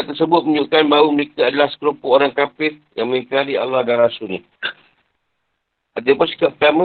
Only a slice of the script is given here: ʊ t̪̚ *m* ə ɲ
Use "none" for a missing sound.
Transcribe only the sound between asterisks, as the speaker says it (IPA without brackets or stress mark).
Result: m